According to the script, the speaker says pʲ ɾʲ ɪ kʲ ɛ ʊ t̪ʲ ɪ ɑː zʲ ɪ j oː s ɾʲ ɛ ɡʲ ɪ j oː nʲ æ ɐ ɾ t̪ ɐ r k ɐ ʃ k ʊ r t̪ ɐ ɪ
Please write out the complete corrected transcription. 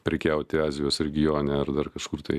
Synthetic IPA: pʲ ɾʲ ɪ kʲ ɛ ʊ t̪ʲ ɪ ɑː zʲ ɪ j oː s ɾʲ ɛ ɡʲ ɪ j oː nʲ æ ɐ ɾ d̪ ɐ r k ɐ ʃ k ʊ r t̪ ɐ ɪ